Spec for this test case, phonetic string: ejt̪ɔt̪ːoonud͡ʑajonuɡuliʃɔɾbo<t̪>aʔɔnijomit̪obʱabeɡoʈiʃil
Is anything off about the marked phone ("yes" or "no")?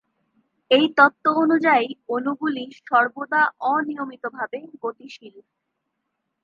yes